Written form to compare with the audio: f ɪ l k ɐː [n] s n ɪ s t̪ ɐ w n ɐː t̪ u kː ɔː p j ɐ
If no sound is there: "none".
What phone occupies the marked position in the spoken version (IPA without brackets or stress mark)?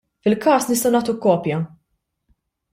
none